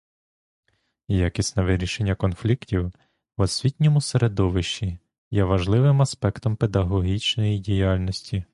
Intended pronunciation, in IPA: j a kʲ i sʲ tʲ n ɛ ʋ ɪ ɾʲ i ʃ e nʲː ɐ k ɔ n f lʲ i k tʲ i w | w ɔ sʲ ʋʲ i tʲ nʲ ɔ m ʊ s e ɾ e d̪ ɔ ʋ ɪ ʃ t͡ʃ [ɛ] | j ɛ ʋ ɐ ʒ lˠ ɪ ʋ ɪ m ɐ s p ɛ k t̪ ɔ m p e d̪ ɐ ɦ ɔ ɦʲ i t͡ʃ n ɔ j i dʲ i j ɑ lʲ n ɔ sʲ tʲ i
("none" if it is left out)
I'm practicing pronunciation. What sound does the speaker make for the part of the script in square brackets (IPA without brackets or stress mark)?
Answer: i